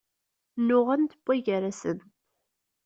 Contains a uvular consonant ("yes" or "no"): yes